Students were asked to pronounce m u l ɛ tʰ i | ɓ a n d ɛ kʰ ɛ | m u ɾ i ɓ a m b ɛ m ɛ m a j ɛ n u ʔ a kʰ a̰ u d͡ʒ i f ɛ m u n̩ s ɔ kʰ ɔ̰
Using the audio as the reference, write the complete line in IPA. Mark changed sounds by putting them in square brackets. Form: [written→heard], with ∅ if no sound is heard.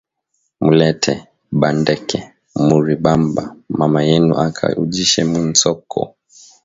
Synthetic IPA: m u l ɛ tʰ [i→ɛ] | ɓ a n d ɛ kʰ ɛ | m u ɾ i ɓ a m b [ɛ→a] m [ɛ→a] m a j ɛ n u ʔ a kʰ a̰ u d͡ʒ i [f→ʃ] ɛ m u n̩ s ɔ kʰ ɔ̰